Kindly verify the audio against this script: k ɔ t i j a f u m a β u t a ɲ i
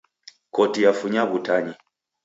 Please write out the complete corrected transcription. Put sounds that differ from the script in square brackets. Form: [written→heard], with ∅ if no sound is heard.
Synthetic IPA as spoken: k ɔ t i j a f u [m→ɲ] a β u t a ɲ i